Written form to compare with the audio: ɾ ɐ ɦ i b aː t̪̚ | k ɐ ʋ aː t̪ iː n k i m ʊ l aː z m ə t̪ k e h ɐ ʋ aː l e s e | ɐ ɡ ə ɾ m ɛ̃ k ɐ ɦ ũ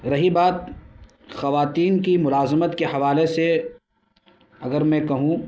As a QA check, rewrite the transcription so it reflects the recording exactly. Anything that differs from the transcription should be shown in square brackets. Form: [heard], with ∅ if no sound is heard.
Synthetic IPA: ɾ ɐ ɦ i b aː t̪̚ | [x] ɐ ʋ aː t̪ iː n k i m ʊ l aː z m ə t̪ k e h ɐ ʋ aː l e s e | ɐ ɡ ə ɾ m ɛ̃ k ɐ ɦ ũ